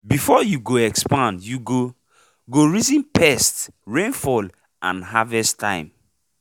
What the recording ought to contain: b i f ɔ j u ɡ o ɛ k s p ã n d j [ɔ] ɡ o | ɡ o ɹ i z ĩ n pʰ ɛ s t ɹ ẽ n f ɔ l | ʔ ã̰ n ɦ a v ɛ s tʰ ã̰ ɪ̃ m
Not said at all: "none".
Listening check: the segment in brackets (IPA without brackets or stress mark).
u